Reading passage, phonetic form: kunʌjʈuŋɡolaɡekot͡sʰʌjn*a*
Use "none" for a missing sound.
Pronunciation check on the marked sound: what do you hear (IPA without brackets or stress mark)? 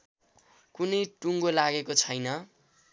ʌ